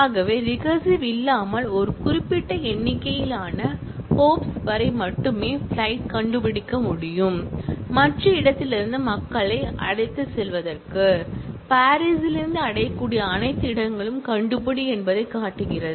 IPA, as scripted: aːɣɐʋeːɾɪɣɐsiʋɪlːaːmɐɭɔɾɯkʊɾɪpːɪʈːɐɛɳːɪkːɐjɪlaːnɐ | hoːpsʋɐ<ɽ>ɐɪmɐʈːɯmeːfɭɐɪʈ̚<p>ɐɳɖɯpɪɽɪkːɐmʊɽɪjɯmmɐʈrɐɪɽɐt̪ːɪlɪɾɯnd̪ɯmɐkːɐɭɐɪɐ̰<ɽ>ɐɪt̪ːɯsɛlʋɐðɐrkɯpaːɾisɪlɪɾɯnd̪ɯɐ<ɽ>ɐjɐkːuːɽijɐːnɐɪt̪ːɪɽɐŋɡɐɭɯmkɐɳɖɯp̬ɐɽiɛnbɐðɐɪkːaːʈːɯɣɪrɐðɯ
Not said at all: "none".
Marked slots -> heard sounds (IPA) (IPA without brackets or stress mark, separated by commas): ɾ, k, ɽ, ɽ